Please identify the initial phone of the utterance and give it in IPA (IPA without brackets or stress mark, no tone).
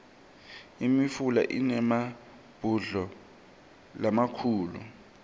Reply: i